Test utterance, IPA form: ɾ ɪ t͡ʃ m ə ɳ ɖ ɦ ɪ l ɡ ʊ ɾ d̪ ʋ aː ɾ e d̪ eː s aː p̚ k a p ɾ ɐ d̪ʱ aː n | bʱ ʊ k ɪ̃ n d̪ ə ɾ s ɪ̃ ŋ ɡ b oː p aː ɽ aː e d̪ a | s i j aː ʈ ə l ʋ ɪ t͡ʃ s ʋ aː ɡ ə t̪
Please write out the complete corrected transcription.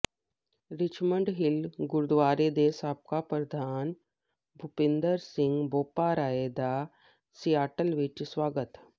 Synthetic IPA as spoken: ɾ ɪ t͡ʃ m ə ɳ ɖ ɦ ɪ l ɡ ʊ ɾ d̪ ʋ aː ɾ e d̪ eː s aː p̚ k a p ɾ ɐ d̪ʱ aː n | bʱ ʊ p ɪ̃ n d̪ ə ɾ s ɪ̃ ŋ ɡ b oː p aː ɾ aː e d̪ a | s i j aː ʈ ə l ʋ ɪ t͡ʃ s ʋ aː ɡ ə t̪